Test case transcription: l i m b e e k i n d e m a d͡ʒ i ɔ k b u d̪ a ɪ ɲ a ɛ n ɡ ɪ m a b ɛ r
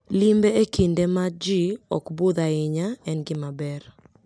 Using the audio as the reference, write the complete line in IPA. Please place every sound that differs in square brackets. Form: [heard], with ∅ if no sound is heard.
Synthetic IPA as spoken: l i m b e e k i n d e m a d͡ʒ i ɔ k b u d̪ a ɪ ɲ a ɛ n ɡ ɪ m a b ɛ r